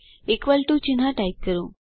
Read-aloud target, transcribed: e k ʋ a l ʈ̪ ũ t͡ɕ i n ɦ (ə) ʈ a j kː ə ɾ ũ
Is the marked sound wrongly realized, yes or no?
yes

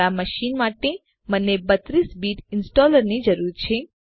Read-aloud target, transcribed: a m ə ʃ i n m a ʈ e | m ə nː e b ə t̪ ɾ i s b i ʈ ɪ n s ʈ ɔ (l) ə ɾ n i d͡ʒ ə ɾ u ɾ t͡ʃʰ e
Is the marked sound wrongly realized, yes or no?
no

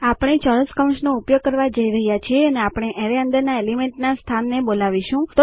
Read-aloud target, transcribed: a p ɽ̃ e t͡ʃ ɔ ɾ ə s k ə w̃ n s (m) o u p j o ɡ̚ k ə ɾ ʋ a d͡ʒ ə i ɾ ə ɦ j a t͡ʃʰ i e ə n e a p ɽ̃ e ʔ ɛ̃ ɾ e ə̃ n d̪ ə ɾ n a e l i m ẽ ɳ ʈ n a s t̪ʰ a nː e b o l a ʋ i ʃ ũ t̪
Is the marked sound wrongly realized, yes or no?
yes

